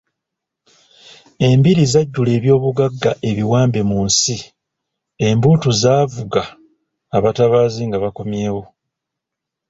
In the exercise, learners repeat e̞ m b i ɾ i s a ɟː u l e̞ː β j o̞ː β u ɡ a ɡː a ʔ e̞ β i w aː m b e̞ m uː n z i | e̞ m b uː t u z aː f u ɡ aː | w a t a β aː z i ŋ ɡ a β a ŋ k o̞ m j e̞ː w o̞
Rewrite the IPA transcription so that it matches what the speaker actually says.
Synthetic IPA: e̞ m b i ɾ i z a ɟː u l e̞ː β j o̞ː β u ɡ a ɡː a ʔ e̞ β i w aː m b e̞ m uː n s i | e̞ m b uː t u z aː v u ɡ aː | β a t a β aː z i ŋ ɡ a β a k o̞ m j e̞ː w o̞